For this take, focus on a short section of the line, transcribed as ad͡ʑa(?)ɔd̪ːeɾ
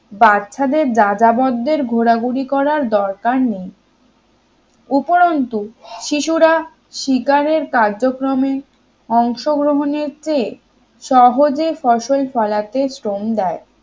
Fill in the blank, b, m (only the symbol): b